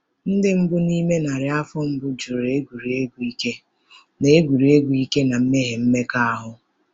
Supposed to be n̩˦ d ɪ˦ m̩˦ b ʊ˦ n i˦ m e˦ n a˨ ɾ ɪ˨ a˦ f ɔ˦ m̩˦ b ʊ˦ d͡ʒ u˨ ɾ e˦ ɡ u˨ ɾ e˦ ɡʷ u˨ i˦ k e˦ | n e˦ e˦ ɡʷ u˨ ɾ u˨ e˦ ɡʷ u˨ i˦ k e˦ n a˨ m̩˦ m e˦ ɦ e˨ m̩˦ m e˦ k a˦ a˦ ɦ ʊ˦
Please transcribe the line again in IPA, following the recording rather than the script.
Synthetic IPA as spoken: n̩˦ d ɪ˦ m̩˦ b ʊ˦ n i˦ m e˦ n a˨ ɾ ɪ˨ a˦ f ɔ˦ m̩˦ b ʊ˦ d͡ʒ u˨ ɾ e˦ ɡ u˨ ɾ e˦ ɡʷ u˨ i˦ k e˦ | n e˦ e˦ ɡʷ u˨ ɾ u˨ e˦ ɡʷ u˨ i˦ k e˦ n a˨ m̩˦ m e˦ ɦ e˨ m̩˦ m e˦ k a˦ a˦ ɦ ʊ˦